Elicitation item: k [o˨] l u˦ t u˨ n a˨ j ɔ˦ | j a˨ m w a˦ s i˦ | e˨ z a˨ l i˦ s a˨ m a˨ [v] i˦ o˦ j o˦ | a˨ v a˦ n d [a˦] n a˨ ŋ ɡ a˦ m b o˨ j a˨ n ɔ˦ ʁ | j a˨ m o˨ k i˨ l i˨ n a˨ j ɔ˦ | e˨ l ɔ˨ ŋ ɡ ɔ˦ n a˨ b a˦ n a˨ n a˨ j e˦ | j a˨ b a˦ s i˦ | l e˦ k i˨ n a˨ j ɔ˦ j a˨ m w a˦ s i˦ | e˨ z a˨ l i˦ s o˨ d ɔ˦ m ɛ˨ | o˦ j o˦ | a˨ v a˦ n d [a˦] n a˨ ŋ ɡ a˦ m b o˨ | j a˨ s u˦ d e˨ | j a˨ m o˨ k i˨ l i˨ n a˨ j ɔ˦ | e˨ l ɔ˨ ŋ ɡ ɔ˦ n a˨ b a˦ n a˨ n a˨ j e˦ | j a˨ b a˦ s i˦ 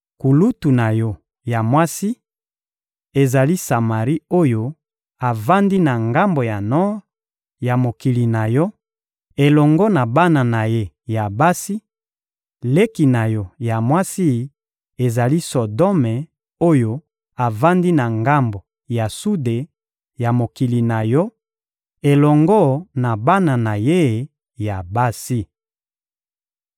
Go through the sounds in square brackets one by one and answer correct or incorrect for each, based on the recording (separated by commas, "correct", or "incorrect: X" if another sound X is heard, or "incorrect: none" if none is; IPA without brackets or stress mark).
incorrect: u˨, incorrect: ʁ, incorrect: i˦, incorrect: i˦